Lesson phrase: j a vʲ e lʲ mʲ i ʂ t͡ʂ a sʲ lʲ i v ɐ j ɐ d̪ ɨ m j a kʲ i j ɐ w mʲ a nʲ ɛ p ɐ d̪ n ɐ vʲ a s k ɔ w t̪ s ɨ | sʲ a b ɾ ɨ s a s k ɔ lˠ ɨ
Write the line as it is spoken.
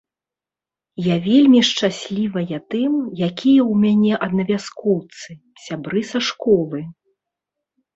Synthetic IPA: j a vʲ e lʲ mʲ i ʂ t͡ʂ a sʲ lʲ i v ɐ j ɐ t̪ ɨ m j a kʲ i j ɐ w mʲ a nʲ ɛ ʔ ɐ d̪ n ɐ vʲ a s k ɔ w t̪ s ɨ | sʲ a b ɾ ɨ s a ʂ k ɔ lˠ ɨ